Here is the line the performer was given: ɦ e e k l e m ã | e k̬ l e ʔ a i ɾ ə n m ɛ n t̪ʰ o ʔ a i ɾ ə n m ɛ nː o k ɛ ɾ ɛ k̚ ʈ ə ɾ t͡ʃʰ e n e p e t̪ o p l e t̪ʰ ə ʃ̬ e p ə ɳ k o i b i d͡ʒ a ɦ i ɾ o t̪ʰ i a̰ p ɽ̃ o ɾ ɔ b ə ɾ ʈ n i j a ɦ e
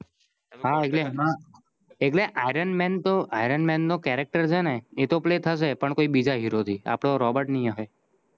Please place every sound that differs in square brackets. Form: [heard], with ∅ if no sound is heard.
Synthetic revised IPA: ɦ [a] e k l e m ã | e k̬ l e ʔ a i ɾ ə n m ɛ n [t̪] o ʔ a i ɾ ə n m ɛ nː o k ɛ ɾ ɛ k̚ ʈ ə ɾ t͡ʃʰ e n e [∅] e t̪ o p l e t̪ʰ ə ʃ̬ e p ə ɳ k o i b i d͡ʒ a ɦ i ɾ o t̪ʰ i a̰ p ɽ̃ o ɾ ɔ b ə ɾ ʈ n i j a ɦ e

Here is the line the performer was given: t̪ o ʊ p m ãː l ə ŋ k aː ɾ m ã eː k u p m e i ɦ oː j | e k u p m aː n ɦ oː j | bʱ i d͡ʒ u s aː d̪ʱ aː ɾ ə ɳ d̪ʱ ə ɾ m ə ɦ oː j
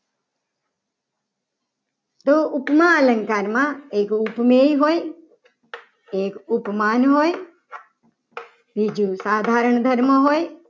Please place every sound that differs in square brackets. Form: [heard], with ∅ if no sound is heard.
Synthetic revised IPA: t̪ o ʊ p m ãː l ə ŋ k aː ɾ m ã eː k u p m e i ɦ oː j | e k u p m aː n ɦ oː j | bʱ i d͡ʒ u s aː d̪ʱ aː ɾ ə ɳ d̪ʱ ə ɾ m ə ɦ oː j

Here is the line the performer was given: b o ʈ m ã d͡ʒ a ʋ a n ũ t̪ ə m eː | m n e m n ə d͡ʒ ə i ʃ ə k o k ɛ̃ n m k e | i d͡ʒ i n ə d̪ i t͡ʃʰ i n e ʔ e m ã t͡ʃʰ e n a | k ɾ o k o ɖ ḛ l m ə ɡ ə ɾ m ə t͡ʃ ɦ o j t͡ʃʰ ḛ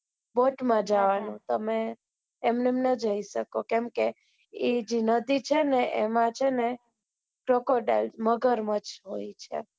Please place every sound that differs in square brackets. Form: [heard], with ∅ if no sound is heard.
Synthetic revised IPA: b o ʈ m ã d͡ʒ a ʋ a n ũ t̪ ə m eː | m n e m n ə d͡ʒ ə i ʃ ə k o k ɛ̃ [∅] m k e | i d͡ʒ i n ə d̪ i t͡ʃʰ [e] n e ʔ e m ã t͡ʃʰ e n [e] | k ɾ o k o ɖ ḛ l m ə ɡ ə ɾ m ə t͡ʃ ɦ o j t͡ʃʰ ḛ

